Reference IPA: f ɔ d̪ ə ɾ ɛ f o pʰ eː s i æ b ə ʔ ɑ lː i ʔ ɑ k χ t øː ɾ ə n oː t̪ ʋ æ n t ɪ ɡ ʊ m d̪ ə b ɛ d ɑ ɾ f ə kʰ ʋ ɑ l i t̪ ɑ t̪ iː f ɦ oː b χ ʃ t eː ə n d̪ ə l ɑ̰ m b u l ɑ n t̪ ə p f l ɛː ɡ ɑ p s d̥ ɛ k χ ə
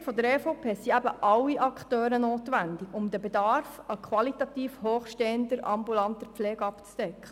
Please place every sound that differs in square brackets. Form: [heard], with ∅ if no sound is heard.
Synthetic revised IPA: f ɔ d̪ ə ɾ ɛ f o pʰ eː s i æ b ə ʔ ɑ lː i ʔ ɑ k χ t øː ɾ ə n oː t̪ ʋ æ n [d] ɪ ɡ ʊ m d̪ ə b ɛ d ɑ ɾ f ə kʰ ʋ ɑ l i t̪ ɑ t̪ iː f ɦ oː [∅] χ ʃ t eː ə n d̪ ə [ɾ] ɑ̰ m b u l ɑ n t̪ ə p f l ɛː ɡ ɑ p [t͡s] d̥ ɛ k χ ə